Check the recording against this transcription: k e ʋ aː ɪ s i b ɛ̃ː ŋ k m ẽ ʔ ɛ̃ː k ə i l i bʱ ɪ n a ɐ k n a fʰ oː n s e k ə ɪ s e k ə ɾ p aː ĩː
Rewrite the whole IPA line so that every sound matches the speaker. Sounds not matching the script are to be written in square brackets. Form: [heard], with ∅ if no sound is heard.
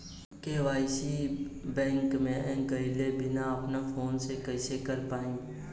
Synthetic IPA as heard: k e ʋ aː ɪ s i b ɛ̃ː ŋ k m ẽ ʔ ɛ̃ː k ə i l [e] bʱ ɪ n a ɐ [p] n a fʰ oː n s e k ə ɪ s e k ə ɾ p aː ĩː